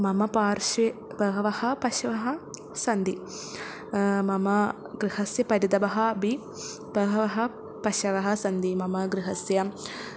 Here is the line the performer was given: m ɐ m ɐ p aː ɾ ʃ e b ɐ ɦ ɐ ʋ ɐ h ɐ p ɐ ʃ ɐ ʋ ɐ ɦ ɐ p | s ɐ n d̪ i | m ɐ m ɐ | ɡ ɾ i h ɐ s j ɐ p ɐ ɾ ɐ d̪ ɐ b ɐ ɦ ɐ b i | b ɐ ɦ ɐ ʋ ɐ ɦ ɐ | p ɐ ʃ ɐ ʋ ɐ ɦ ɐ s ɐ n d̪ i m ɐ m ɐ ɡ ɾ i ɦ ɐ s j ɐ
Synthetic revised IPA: m ɐ m ɐ p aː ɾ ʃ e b ɐ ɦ ɐ ʋ ɐ h ɐ p ɐ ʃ ɐ ʋ ɐ ɦ ɐ | s ɐ n d̪ i | m ɐ m ɐ | ɡ ɾ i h ɐ s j ɐ p ɐ ɾ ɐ d̪ ɐ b ɐ ɦ ɐ b i | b ɐ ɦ ɐ ʋ ɐ ɦ ɐ | p ɐ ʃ ɐ ʋ ɐ ɦ ɐ s ɐ n d̪ i m ɐ m ɐ ɡ ɾ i ɦ ɐ s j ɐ